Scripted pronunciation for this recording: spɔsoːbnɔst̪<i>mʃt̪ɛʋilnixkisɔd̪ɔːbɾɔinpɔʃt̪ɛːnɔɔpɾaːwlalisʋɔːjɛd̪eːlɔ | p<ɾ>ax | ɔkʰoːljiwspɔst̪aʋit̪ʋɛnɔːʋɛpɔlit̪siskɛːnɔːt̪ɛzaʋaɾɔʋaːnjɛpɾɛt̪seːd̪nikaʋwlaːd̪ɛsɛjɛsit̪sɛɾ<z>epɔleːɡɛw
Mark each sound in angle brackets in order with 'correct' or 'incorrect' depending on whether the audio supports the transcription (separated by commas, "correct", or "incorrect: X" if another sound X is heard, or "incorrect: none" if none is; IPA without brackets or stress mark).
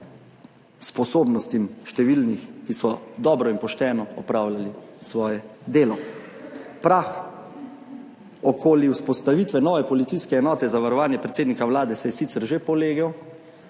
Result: correct, correct, incorrect: ʒ